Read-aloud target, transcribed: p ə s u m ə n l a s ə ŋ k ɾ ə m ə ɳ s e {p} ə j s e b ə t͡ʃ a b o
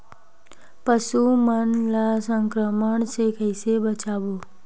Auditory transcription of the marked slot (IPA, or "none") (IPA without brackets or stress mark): k